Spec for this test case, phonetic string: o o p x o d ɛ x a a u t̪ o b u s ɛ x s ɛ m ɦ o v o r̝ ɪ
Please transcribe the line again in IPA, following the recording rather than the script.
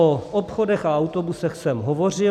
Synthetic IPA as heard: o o p x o d ɛ x a a w t̪ o b u s ɛ x s ɛ m ɦ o v o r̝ ɪ

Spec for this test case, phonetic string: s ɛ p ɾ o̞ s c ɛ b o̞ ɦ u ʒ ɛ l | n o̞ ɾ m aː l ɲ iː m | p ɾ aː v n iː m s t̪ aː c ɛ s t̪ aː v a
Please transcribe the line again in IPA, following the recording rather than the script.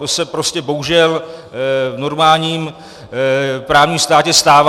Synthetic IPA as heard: s ɛ p ɾ o̞ s c ɛ b o̞ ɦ u ʒ ɛ l | n o̞ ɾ m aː l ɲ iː m | p ɾ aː v ɲ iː m s t̪ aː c ɛ s t̪ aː v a

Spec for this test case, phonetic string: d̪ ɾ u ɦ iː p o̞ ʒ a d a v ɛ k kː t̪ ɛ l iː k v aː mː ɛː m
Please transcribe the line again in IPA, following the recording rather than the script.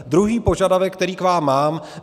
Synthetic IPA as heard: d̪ ɾ u ɦ iː p o̞ ʒ a d a v ɛ k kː t̪ ɛ ɾ iː k v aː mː aː m

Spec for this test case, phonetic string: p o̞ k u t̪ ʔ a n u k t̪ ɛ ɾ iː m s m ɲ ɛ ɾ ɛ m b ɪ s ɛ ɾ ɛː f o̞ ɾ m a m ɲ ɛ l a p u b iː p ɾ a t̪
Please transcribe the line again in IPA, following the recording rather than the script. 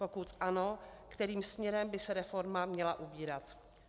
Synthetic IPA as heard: p o̞ k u t̪ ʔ a n o k t̪ ɛ ɾ iː m s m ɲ ɛ ɾ ɛ m b ɪ s ɛ ɾ ɛ f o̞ ɾ m a m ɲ ɛ l a ʔ u b iː ɾ a t̪

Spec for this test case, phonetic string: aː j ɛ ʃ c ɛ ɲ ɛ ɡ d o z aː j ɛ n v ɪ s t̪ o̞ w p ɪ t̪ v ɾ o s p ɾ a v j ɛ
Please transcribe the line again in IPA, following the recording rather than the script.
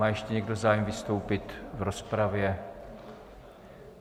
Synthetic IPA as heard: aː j ɛ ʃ c ɛ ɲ ɛ ɡ d o z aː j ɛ m v ɪ s t̪ o̞ w p ɪ t̪ v ɾ o s p ɾ a v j ɛ

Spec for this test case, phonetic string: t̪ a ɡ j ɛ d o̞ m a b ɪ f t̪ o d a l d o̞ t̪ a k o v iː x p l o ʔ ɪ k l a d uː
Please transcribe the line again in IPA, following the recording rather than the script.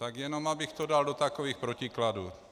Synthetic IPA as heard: t̪ a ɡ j ɛ n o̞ m a b ɪ x t̪ o d a l d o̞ t̪ a k o v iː x p ɾ o c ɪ k l a d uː

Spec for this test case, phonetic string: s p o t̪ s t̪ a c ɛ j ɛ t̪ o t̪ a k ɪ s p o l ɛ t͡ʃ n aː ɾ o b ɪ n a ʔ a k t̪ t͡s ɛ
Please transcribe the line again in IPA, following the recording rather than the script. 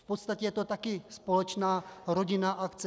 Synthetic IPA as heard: f p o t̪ s t̪ a c ɛ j ɛ t̪ o t̪ a k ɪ s p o l ɛ t͡ʃ n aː ɾ o ɟ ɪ n a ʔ a k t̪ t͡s ɛ

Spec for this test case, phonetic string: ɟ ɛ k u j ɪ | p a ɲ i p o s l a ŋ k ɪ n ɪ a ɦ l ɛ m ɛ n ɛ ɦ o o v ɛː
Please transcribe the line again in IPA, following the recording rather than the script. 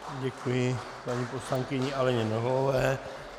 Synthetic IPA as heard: ɟ ɛ k u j ɪ | p a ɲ i p o s l a ŋ k ɪ ɲ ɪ a l ɛ ɲ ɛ n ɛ ɦ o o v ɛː

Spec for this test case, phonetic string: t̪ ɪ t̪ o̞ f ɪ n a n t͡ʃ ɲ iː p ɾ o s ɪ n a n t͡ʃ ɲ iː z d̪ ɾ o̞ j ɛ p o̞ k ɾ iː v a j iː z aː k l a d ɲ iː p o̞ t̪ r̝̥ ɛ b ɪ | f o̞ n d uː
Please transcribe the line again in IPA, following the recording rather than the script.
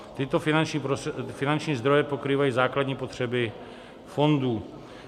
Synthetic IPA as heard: t̪ ɪ t̪ o̞ f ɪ n a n t͡ʃ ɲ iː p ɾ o f ɪ n a n t͡ʃ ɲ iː z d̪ ɾ o̞ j ɛ p o̞ k ɾ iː v a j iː z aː k l a d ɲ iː p o̞ t̪ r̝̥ ɛ b ɪ | f o̞ n d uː

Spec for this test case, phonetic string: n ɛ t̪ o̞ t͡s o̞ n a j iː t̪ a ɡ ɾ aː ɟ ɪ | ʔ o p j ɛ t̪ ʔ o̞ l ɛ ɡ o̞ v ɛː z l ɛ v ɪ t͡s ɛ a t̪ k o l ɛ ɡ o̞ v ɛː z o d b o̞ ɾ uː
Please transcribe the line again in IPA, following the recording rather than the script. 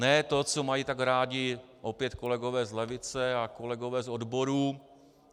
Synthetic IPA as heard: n ɛ t̪ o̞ t͡s o̞ m a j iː t̪ a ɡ ɾ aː ɟ ɪ | ʔ o p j ɛ t̪ k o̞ l ɛ ɡ o̞ v ɛː z l ɛ v ɪ t͡s ɛ a k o l ɛ ɡ o̞ v ɛː z o d b o̞ ɾ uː

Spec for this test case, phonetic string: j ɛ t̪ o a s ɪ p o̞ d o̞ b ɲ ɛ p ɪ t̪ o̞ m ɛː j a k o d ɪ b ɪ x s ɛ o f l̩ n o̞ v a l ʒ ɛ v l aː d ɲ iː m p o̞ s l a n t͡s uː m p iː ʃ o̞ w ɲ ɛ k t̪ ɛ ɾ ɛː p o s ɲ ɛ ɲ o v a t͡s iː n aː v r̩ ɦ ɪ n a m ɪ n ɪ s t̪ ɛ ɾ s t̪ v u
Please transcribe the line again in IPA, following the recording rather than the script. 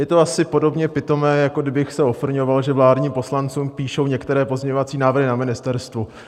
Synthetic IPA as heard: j ɛ t̪ o a s ɪ p o̞ d o̞ b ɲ ɛ p ɪ t̪ o̞ m ɛː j a k o d ɪ b ɪ x s ɛ o f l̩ ɲ o̞ v a l ʒ ɛ v l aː d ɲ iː m p o̞ s l a n t͡s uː m p iː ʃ o̞ w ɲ ɛ k t̪ ɛ ɾ ɛː p o z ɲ ɛ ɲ o v a t͡s iː n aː v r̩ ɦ ɪ n a m ɪ n ɪ s t̪ ɛ ɾ s t̪ v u

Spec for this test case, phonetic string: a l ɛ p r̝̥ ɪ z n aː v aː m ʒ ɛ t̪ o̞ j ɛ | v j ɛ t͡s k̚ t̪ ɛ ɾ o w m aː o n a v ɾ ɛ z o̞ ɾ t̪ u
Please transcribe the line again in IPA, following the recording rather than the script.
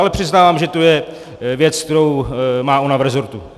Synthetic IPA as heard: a l ɛ p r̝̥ ɪ z n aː v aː m ʒ ɛ t̪ o̞ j ɛ | v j ɛ t͡s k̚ t̪ ɛ ɾ o w m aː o n a v ɾ ɛ z o̞ ɾ t̪ u

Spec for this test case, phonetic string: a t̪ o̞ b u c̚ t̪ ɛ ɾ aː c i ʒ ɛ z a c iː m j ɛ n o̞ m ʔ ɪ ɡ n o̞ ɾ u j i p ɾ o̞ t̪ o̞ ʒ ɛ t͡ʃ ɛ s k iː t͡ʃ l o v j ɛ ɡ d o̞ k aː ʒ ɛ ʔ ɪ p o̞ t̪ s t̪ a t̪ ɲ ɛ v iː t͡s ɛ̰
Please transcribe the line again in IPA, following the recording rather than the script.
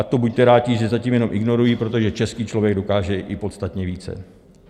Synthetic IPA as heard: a t̪ o̞ b u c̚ t̪ ɛ ɾ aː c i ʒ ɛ z a c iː m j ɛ n o̞ m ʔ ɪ ɡ n o̞ ɾ u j i p ɾ o̞ t̪ o̞ ʒ ɛ t͡ʃ ɛ s k iː t͡ʃ l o v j ɛ ɡ d o̞ k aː ʒ ɛ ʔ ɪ p o̞ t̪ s t̪ a t̪ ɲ ɛ v iː t͡s ɛ̰

